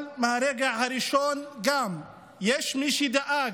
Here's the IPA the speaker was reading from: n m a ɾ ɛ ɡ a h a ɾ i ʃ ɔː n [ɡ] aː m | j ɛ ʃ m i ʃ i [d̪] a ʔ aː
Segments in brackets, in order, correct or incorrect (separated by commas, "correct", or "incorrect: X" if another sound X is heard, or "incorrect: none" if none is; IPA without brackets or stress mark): correct, correct